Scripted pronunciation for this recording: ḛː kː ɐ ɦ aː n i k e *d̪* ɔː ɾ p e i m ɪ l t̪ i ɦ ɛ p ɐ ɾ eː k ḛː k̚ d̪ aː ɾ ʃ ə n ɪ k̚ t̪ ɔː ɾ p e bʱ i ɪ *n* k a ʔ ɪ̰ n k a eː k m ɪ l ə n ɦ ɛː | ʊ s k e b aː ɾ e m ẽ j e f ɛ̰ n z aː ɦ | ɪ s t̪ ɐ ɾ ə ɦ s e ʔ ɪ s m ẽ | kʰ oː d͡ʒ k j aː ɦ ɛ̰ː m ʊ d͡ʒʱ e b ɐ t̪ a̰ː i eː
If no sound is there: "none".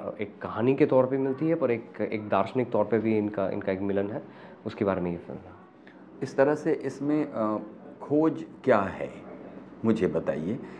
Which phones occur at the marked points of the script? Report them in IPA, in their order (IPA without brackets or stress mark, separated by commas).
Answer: t̪, n